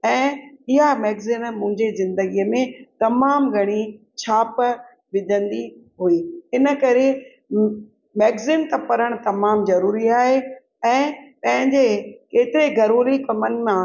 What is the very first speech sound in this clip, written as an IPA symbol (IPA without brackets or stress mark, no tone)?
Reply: ɛ̃ː